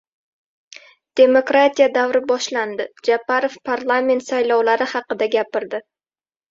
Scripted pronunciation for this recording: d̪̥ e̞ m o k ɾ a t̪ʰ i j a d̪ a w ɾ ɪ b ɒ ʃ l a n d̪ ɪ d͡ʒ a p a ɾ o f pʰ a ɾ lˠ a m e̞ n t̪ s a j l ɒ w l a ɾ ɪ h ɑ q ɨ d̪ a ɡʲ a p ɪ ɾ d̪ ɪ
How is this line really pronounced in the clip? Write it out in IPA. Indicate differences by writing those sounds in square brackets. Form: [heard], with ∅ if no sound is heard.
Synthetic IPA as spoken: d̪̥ e̞ m o k ɾ a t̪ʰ i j a d̪ a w ɾ ɪ b ɒ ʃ l a n d̪ ɪ d͡ʒ a p a ɾ o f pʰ a ɾ lˠ a m e̞ n t̪ s a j l ɒ w l a ɾ ɪ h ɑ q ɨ d̪ a ɡʲ a p ɪ ɾ d̪ ɪ